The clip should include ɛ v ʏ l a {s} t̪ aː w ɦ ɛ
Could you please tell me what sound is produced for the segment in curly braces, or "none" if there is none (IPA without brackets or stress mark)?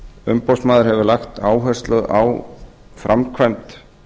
x